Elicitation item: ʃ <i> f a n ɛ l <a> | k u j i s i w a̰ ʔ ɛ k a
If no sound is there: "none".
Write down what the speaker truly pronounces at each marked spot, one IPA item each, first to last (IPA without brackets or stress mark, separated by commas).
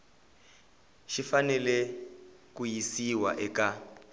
i, ɛ